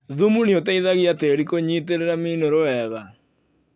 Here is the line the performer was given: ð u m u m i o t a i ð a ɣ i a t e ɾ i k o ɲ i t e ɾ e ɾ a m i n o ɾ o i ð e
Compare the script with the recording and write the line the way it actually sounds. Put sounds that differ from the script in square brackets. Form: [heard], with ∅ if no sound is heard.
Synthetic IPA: ð u m u [n] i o t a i ð a ɣ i a t e ɾ i k o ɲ i t e ɾ e ɾ a m i n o ɾ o [ɛ] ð [a]